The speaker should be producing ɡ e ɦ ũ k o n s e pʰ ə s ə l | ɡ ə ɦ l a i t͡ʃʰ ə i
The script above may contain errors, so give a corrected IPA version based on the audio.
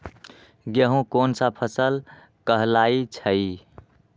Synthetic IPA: ɡ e ɦ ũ k o n s a pʰ ə s ə l | k ə ɦ l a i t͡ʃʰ ə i

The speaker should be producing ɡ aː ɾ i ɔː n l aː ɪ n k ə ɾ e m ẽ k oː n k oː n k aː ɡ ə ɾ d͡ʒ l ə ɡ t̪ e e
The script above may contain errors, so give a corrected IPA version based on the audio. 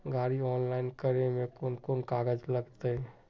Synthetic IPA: ɡ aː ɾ i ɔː n l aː ɪ n k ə ɾ e m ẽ k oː n k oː n k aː ɡ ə d͡ʒ l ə ɡ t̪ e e

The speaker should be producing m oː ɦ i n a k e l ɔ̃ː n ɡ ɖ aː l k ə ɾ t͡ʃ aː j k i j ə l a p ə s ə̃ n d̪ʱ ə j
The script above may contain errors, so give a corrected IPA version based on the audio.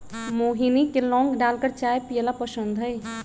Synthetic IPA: m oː ɦ i n i k e l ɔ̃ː ŋ ɡ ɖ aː l k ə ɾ t͡ʃ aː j p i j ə l a p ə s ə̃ n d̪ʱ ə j

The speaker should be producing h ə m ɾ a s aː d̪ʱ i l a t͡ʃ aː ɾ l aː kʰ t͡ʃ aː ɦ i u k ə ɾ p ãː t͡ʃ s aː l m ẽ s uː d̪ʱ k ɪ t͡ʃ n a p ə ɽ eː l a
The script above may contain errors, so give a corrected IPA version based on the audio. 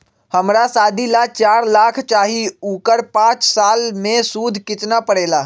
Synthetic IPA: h ə m ɾ a s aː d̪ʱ i l a t͡ʃ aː ɾ l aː kʰ t͡ʃ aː ɦ i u k ə ɾ p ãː t͡ʃ s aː l m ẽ s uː d̪ʱ k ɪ t͡ʃ n a p ə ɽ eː l a

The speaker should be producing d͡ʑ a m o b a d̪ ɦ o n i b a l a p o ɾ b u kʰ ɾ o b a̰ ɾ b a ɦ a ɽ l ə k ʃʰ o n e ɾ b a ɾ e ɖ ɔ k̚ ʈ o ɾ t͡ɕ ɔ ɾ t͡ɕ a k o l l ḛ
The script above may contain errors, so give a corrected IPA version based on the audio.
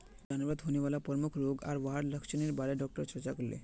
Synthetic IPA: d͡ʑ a n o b a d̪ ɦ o n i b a l a p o ɾ m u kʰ ɾ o ɡ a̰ ɾ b a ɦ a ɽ l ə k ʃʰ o n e ɾ b a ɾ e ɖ ɔ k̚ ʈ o ɾ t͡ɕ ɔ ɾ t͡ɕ a k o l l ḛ

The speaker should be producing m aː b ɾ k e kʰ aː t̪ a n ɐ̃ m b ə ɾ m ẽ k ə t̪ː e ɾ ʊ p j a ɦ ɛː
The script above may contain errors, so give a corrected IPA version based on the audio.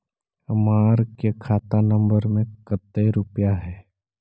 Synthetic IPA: m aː ɾ k e kʰ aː t̪ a n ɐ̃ m b ə ɾ m ẽ k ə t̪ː e ɾ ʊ p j a ɦ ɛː

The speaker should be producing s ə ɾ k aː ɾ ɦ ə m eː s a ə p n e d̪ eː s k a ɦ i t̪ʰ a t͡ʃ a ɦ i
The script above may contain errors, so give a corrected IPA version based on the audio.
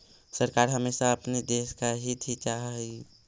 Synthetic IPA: s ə ɾ k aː ɾ ɦ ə m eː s a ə p n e d̪ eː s k a ɦ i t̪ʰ i t͡ʃ a ɦ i

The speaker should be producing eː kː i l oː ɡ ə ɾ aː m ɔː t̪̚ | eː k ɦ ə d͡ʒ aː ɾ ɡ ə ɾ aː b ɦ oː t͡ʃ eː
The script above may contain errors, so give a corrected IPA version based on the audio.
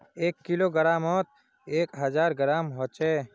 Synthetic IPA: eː kː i l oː ɡ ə ɾ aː m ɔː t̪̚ | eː k ɦ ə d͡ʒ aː ɾ ɡ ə ɾ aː m ɦ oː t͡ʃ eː

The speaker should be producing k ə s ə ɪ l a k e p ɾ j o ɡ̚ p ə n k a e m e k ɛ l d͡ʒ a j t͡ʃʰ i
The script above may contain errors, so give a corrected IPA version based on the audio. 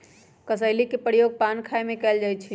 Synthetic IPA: k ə s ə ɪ l i k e p ɾ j o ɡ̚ p a n kʰ a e m e k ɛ l d͡ʒ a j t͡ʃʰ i

